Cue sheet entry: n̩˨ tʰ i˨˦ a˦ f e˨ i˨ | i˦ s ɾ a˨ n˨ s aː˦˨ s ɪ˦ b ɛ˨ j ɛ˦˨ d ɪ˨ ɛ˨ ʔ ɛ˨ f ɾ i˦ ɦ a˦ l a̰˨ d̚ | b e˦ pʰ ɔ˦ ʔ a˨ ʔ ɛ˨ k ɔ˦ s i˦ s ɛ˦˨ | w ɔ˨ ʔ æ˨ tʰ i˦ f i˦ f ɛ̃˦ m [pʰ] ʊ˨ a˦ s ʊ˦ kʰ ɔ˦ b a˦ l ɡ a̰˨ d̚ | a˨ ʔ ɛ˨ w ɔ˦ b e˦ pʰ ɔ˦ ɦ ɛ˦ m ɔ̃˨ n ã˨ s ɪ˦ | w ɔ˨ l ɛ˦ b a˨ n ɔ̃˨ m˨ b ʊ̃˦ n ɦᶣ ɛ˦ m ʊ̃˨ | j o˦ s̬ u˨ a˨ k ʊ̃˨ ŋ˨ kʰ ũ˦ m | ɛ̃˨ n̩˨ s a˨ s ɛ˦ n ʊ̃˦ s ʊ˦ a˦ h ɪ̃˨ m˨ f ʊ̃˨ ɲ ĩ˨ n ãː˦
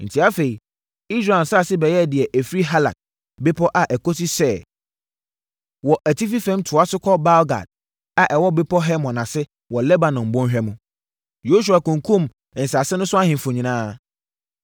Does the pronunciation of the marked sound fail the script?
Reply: yes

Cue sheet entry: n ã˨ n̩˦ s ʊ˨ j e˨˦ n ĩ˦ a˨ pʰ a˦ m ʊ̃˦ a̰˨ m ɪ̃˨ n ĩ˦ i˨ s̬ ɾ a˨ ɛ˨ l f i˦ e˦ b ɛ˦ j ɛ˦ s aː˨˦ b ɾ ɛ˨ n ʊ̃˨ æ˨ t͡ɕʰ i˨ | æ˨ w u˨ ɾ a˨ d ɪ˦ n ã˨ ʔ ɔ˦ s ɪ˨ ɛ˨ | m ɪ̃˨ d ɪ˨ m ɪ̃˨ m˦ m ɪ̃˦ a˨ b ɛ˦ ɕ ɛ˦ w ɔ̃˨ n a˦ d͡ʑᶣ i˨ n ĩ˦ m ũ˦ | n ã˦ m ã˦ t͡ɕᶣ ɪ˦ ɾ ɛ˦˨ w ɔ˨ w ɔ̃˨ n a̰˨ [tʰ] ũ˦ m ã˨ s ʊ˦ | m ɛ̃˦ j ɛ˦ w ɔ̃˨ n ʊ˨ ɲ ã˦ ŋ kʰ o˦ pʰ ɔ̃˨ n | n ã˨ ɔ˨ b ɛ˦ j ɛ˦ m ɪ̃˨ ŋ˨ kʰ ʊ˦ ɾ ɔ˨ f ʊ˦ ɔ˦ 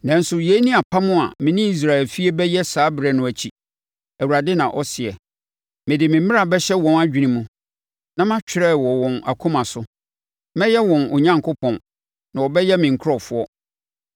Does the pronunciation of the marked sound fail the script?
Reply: yes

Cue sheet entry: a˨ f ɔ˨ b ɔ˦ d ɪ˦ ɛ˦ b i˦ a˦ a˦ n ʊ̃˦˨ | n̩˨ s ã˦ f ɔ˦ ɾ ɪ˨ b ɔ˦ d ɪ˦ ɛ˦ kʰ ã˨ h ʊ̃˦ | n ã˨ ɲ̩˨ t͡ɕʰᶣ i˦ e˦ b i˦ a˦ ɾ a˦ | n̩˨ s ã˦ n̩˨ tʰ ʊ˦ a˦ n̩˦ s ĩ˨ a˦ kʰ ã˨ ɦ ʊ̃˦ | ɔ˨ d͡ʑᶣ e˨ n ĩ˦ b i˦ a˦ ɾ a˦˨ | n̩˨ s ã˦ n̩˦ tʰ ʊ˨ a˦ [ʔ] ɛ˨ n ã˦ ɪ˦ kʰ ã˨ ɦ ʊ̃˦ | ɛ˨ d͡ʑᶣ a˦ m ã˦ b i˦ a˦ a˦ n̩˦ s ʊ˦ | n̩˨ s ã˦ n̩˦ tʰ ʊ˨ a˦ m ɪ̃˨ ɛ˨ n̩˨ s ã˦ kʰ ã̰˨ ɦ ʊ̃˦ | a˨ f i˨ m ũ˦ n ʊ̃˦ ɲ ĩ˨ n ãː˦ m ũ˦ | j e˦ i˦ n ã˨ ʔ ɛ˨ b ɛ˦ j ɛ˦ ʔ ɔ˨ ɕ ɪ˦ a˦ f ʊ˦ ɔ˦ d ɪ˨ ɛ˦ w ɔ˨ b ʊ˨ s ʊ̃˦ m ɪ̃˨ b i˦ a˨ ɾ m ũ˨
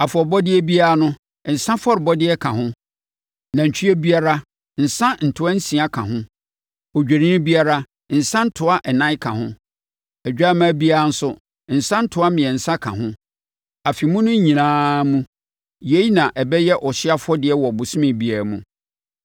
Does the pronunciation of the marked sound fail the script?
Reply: no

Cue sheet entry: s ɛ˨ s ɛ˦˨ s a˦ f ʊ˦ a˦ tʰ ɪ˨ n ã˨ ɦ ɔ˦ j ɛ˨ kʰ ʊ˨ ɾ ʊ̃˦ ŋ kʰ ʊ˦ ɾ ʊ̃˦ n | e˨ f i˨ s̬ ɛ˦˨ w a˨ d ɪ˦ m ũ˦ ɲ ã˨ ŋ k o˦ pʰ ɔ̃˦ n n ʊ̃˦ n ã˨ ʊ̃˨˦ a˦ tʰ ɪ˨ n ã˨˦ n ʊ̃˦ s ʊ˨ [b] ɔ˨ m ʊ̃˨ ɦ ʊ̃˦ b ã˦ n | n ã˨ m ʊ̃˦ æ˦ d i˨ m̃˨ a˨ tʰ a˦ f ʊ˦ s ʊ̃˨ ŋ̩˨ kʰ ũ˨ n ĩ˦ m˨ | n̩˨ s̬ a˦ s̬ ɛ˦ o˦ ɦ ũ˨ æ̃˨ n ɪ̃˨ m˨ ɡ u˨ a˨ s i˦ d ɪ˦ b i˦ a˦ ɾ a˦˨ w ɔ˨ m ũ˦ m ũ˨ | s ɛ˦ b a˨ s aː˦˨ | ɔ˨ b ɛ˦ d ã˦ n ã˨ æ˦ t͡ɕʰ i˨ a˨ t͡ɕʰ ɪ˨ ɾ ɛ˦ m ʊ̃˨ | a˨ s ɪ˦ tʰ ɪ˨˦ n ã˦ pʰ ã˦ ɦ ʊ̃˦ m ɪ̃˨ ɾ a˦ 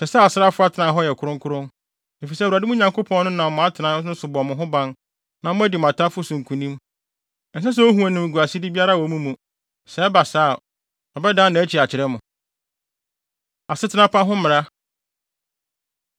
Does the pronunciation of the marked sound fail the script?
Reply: no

